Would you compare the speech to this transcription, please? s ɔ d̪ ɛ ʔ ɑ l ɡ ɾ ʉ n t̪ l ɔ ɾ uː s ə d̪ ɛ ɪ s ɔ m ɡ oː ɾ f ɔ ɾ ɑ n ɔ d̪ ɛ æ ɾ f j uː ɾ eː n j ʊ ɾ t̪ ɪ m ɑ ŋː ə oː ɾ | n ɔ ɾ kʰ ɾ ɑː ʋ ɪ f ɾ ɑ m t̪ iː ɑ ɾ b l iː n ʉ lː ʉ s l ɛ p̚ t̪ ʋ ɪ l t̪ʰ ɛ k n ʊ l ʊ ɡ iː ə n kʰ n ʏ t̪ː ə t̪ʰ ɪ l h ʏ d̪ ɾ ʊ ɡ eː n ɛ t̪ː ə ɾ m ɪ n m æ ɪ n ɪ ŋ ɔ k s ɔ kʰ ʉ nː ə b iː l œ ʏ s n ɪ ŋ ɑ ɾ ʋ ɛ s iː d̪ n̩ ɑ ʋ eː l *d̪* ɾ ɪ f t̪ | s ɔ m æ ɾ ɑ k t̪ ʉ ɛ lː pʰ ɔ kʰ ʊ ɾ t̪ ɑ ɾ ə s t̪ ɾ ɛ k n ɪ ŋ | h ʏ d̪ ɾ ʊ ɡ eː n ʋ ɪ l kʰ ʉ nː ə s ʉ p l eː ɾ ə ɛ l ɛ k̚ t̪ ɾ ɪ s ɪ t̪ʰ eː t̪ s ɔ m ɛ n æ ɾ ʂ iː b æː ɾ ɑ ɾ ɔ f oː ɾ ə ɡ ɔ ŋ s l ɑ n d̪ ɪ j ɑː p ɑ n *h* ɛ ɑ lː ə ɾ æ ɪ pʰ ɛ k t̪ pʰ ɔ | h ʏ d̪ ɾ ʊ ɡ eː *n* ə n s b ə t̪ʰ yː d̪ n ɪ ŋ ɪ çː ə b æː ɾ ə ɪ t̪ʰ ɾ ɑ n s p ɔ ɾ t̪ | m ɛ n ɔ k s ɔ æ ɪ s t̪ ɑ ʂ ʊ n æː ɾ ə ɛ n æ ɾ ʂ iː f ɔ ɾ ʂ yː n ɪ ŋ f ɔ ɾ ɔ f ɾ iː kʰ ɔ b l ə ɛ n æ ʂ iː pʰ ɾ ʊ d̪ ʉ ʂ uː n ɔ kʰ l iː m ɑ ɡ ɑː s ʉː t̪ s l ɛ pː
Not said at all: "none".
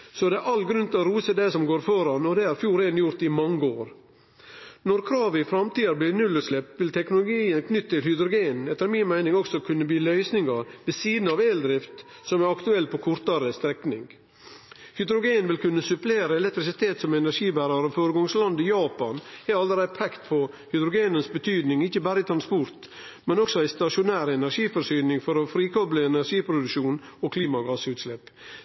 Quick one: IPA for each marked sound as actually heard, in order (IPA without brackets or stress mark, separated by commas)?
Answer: d̪, h, n